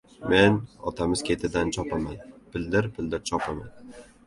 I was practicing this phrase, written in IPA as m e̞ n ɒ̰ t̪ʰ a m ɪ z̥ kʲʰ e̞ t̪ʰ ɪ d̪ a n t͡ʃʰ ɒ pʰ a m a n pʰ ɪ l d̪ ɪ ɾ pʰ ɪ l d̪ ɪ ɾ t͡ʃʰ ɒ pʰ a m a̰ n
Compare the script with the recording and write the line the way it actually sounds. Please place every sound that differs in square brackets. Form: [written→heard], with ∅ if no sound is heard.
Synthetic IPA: m e̞ n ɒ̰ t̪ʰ a m ɪ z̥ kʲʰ e̞ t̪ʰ ɪ d̪ a n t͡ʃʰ ɒ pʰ a m a n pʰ ɪ l d̪ ɪ ɾ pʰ ɪ l d̪ ɪ ɾ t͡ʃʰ ɒ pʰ a m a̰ n